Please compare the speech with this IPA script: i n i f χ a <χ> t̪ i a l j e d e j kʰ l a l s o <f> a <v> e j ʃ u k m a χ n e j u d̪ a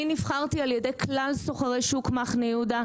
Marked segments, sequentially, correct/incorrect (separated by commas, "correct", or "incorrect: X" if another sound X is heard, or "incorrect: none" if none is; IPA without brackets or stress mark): incorrect: ʁ, incorrect: χ, incorrect: ʁ